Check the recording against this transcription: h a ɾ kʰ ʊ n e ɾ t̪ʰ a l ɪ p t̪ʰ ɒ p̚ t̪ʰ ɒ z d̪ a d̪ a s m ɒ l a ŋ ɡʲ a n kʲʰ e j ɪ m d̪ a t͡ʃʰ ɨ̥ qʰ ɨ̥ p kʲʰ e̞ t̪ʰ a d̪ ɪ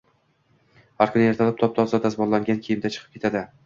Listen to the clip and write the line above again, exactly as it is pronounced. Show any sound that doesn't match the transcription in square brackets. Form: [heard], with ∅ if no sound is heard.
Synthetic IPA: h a ɾ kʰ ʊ n e ɾ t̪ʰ a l ɪ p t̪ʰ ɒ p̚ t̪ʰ ɒ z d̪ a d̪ a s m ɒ l a ŋ ɡʲ a n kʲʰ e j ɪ m d̪ a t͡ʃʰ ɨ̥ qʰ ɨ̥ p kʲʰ e̞ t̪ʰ a d̪ ɪ